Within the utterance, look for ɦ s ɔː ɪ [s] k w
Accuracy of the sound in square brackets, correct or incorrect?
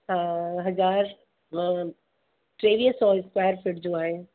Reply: correct